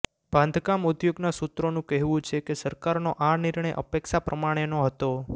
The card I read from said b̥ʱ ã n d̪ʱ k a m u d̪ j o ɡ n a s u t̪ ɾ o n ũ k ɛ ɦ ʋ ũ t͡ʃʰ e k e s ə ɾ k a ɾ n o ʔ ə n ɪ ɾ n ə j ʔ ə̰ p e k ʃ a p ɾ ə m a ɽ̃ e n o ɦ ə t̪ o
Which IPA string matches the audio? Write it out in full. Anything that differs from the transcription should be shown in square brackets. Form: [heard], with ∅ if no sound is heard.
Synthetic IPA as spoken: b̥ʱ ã n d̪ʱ k a m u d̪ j o ɡ n a s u t̪ ɾ o n ũ k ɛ ɦ ʋ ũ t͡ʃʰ e k e s ə ɾ k a ɾ n o ʔ [a] n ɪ ɾ [ɳ] ə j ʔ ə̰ p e k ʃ a p ɾ ə m a ɽ̃ e n o ɦ ə t̪ o